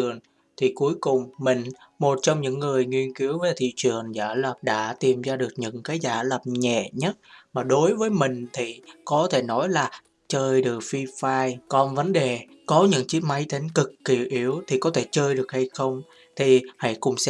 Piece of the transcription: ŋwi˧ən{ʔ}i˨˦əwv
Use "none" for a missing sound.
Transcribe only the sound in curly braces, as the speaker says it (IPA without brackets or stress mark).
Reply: k